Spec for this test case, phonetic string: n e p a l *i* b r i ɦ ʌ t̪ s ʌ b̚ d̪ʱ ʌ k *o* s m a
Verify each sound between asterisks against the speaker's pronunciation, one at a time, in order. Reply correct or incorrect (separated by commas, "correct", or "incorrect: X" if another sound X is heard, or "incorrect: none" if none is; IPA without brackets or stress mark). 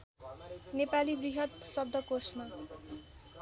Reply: correct, correct